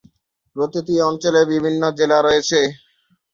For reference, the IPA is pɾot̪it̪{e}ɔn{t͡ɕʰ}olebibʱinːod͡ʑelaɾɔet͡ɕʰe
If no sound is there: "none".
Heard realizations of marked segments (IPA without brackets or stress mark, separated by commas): i, t͡ɕ